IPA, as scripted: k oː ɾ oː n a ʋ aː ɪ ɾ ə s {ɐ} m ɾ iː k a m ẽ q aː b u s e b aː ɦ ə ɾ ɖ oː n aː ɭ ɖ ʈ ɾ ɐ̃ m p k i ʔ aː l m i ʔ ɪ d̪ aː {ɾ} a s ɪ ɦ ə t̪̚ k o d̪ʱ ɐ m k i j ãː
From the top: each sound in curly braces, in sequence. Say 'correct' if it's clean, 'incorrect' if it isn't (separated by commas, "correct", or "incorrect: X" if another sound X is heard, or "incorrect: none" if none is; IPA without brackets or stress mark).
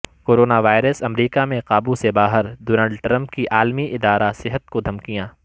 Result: correct, correct